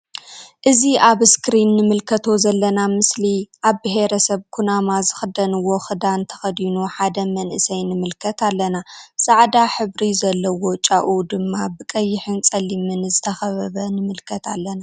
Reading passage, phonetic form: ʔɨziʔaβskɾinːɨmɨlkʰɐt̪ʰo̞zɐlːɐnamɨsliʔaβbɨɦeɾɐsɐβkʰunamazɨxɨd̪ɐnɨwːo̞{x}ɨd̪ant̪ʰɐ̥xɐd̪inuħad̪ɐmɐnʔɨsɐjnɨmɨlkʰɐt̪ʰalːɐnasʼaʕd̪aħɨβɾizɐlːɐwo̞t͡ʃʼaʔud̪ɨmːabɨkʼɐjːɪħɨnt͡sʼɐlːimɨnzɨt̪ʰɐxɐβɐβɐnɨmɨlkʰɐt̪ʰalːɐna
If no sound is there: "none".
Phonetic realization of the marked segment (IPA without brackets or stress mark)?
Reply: x